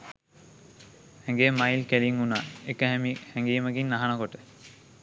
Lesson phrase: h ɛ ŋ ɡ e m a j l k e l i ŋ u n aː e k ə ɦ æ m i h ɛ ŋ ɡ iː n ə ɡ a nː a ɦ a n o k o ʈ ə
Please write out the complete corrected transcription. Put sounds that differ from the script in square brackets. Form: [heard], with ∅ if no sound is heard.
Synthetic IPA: h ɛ ŋ ɡ e m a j l k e l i ŋ u n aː e k ə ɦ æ m i h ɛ ŋ ɡ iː [m] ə ɡ [i] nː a ɦ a n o k o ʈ ə